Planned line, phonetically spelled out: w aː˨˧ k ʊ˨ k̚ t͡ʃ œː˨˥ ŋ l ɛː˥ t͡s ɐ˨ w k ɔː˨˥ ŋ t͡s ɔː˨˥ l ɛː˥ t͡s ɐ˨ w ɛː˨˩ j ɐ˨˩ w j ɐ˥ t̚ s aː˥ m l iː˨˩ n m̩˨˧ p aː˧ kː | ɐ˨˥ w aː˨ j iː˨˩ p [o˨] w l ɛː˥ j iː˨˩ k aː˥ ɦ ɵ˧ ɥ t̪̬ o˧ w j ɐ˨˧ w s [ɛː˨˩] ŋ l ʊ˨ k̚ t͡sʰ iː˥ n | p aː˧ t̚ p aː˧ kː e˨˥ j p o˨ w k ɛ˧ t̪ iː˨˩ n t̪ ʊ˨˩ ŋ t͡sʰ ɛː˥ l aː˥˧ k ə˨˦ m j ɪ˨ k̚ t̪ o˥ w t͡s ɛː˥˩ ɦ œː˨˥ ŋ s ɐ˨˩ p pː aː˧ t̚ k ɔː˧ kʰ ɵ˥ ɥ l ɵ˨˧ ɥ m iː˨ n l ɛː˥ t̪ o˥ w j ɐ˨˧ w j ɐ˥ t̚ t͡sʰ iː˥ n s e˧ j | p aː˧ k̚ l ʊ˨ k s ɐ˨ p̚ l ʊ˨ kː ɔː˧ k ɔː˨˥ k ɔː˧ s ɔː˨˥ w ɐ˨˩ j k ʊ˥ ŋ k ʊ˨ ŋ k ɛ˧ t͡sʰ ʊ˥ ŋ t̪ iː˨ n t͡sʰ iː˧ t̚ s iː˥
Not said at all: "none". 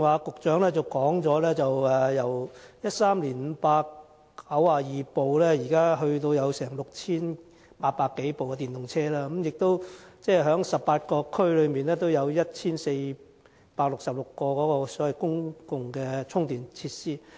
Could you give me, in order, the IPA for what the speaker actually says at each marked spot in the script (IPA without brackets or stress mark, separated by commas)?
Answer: o˨, ɛː˨˩